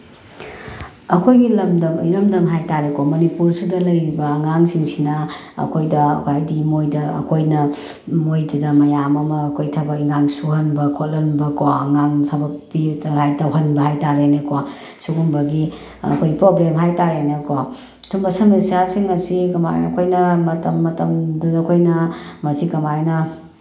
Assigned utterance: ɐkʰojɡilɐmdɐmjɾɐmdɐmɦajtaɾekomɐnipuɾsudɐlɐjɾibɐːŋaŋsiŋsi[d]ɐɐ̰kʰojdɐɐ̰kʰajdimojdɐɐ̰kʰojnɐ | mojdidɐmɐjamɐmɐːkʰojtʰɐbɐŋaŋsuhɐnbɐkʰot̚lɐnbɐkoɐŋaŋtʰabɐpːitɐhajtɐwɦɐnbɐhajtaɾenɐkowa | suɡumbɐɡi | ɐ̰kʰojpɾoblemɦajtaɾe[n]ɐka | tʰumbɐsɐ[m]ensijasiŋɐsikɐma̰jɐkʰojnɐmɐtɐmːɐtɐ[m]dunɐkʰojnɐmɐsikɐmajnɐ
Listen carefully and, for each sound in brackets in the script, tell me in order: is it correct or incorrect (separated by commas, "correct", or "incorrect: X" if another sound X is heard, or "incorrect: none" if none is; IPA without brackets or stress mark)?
incorrect: n, correct, correct, correct